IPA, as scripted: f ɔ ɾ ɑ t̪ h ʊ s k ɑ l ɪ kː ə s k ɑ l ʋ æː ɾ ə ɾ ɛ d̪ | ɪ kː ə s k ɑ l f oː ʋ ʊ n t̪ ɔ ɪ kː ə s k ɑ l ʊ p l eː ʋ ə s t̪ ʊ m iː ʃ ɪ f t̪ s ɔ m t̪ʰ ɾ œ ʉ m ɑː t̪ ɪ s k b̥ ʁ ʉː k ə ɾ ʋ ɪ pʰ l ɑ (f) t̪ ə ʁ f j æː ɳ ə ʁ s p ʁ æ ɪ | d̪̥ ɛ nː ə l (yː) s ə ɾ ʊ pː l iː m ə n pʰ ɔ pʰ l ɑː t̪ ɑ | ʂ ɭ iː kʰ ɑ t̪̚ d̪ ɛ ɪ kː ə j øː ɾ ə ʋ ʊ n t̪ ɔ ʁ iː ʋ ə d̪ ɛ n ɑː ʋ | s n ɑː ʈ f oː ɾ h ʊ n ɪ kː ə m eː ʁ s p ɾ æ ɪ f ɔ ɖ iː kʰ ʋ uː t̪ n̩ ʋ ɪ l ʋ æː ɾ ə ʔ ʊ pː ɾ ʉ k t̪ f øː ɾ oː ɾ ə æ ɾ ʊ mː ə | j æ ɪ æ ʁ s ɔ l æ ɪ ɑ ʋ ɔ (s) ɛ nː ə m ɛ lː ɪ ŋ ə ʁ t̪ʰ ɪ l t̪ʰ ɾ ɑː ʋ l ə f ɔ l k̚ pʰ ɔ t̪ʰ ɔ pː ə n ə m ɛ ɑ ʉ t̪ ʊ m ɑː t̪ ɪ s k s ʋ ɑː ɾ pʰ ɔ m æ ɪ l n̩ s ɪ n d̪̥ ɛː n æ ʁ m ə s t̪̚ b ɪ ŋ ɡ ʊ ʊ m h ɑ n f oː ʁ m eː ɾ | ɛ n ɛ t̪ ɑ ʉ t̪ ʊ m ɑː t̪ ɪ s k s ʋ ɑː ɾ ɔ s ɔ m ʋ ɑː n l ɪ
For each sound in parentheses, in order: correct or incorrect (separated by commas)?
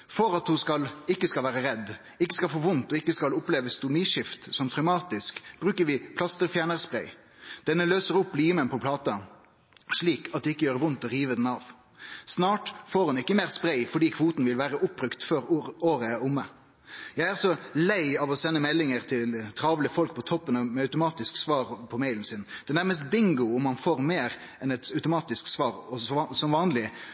incorrect, incorrect, correct